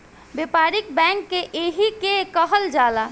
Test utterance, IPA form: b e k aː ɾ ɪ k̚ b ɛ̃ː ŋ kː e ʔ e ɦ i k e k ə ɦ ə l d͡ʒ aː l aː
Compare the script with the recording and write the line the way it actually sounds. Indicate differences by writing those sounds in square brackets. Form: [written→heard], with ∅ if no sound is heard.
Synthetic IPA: b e [k→p] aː ɾ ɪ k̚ b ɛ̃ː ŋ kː e ʔ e ɦ i k e k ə ɦ ə l d͡ʒ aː l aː